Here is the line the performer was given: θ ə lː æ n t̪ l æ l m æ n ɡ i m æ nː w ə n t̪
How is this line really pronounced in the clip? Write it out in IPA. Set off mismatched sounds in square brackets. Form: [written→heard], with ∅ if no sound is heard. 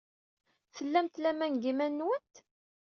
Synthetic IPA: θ ə lː æ [n→m] t̪ l æ [l→∅] m æ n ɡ i m æ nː w ə n t̪